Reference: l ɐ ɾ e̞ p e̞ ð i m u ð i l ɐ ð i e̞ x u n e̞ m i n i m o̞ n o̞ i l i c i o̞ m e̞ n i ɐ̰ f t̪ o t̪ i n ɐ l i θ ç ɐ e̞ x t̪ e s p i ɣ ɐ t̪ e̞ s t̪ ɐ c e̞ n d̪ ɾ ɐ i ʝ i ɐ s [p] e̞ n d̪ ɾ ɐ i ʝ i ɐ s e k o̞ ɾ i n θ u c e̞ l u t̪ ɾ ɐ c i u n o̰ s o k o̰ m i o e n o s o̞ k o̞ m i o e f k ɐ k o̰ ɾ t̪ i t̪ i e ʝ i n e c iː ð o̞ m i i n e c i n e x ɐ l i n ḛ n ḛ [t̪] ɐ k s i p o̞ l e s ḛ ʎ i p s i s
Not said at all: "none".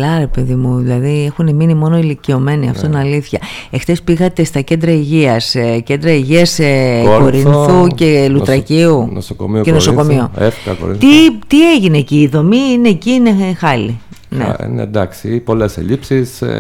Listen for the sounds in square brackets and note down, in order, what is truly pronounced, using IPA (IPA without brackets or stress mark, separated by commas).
c, d̪